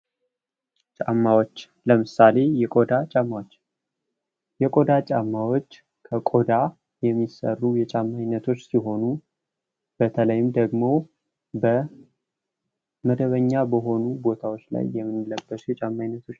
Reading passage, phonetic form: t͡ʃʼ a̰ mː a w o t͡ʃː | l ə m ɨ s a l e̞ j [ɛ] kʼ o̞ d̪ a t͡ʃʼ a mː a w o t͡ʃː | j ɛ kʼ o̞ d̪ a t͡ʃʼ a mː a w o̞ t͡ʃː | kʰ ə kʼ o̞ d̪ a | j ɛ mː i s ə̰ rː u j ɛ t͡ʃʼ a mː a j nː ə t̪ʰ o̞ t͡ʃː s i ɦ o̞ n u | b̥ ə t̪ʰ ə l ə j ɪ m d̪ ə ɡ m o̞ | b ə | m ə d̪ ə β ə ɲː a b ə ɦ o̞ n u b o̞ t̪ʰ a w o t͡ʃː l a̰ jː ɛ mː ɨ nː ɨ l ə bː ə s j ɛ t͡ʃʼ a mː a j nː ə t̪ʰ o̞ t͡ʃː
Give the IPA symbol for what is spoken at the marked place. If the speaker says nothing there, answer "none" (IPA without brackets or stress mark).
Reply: ɛ